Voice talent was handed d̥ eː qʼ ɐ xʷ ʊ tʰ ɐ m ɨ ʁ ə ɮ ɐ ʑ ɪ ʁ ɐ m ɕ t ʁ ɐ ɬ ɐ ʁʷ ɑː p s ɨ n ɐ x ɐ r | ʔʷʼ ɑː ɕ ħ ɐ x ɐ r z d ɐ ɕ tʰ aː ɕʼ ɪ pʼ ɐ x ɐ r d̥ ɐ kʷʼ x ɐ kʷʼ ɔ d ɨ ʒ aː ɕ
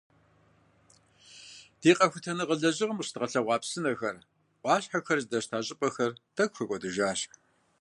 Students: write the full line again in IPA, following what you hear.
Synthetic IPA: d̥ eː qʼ ɐ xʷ ʊ tʰ ɐ n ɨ ʁ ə ɮ ɐ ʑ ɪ ʁ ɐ m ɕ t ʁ ɐ ɬ ɐ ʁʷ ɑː p s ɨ n ɐ x ɐ r | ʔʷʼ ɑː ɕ ħ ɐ x ɐ r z d ɐ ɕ tʰ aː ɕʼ ɪ pʼ ɐ x ɐ r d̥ ɐ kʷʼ x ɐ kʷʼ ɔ d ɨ ʒ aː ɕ